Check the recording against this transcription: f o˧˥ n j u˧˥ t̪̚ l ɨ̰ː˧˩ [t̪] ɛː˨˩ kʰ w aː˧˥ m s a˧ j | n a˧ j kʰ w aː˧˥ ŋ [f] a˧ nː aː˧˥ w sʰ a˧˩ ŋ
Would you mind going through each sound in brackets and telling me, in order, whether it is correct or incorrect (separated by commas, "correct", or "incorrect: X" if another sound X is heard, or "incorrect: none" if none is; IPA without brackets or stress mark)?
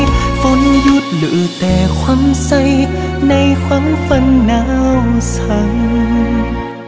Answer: correct, correct